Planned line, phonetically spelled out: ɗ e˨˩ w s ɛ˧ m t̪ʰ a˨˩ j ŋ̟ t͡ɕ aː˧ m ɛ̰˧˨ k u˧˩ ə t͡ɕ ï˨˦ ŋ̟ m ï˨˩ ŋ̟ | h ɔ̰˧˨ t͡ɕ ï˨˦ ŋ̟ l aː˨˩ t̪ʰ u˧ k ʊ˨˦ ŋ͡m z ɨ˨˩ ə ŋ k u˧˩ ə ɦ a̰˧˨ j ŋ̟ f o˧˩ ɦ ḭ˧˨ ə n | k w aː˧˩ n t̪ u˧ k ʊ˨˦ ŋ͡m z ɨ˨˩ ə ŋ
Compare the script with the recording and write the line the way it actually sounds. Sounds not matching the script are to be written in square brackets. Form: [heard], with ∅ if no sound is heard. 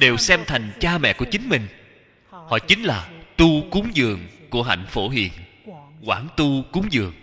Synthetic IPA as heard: ɗ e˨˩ w s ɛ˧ m t̪ʰ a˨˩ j ŋ̟ t͡ɕ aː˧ m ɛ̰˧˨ k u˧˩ ə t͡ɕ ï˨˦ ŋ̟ m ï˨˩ ŋ̟ | h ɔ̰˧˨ t͡ɕ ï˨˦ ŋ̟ l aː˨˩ [t̪] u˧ k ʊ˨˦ ŋ͡m z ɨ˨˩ ə ŋ k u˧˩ ə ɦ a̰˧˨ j ŋ̟ f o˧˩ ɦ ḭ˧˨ ə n | k w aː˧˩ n t̪ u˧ k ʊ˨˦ ŋ͡m z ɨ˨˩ ə ŋ